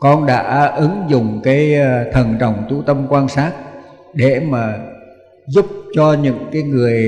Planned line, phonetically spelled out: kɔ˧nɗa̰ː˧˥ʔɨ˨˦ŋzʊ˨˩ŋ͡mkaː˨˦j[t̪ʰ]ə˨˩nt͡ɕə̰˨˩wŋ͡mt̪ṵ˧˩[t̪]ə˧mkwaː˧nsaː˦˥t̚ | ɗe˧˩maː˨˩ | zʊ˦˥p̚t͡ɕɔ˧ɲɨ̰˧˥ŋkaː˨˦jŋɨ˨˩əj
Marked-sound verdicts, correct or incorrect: correct, correct

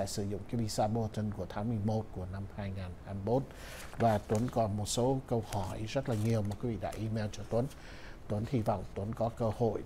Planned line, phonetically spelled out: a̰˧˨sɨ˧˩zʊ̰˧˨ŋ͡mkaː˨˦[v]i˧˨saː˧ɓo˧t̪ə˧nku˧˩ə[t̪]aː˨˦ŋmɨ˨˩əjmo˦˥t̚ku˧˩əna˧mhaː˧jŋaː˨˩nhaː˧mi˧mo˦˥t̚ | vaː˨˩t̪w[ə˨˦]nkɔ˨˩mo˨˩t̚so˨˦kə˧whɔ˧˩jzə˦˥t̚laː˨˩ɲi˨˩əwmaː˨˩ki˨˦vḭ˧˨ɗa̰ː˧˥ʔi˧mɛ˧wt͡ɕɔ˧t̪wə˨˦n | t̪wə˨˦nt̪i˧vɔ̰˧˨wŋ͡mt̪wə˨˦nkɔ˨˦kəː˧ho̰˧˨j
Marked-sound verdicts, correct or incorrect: correct, incorrect: t̪ʰ, correct

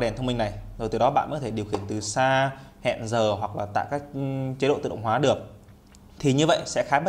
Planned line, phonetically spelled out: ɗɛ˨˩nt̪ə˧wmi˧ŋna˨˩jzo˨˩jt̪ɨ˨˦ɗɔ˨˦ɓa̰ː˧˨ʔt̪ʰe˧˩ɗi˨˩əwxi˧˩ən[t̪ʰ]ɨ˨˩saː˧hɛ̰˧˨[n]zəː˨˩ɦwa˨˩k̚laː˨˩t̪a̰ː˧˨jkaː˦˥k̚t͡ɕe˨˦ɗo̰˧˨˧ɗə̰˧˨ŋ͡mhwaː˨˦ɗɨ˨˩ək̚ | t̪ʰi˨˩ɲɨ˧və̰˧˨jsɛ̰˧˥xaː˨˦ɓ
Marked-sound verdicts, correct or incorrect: incorrect: t̪, correct

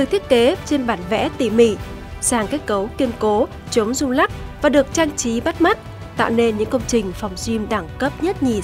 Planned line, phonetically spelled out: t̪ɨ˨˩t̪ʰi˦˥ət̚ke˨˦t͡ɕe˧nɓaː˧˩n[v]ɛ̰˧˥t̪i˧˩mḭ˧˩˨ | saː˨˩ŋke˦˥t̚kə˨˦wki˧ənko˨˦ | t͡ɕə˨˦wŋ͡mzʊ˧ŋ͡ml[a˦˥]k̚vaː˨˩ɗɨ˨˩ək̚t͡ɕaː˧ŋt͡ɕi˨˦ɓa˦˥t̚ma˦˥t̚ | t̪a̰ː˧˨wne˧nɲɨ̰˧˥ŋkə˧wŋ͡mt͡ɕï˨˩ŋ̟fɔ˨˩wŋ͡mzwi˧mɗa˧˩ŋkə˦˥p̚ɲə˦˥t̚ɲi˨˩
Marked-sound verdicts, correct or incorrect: correct, correct

